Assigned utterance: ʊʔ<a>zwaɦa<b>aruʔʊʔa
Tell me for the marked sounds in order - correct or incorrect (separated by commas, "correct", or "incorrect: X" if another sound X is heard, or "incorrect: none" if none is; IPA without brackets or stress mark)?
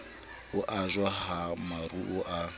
correct, incorrect: m